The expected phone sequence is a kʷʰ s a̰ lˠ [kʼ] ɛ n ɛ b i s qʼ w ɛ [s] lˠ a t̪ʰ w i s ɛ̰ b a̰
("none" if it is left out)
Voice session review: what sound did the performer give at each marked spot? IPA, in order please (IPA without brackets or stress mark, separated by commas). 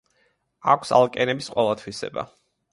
kʼ, none